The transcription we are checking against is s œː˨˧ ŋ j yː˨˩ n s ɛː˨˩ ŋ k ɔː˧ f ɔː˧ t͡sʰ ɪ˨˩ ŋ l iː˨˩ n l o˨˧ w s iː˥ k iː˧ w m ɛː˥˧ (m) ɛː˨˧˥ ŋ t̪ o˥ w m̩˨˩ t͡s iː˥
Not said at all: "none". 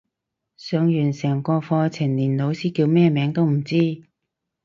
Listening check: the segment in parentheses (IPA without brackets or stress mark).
m